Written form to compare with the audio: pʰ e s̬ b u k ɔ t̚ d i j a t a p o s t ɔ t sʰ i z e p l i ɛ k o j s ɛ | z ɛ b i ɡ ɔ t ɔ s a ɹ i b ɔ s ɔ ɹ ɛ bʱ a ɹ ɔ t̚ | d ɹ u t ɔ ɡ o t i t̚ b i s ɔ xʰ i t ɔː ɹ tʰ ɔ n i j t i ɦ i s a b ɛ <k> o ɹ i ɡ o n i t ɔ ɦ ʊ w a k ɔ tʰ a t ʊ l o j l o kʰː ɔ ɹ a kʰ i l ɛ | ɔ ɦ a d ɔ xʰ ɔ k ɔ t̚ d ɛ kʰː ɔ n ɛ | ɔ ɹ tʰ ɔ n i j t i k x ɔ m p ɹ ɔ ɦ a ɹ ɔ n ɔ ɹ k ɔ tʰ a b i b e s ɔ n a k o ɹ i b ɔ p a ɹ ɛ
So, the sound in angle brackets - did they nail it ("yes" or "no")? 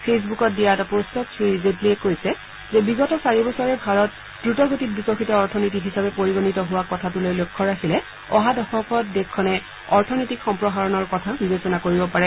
no